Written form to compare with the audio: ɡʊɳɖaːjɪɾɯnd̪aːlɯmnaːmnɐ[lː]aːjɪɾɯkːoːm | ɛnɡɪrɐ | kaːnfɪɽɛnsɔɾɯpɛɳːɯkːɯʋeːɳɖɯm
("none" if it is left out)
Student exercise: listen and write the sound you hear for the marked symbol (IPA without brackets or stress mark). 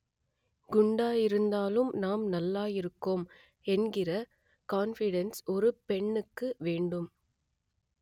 lː